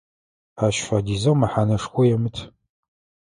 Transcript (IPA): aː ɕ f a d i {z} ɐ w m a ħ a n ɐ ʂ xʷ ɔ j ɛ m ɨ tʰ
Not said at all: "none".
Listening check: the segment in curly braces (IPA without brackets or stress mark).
z